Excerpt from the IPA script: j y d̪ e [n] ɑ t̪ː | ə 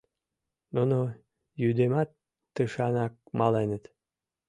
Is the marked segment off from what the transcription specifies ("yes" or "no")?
yes